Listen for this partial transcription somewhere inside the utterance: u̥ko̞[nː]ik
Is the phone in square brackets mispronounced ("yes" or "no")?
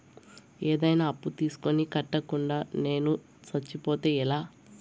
yes